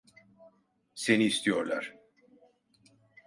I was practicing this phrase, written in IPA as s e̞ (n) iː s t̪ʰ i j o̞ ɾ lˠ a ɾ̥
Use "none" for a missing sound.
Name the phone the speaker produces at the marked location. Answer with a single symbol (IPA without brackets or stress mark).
n